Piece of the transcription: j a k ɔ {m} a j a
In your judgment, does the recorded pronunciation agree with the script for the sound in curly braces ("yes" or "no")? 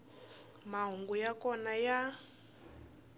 no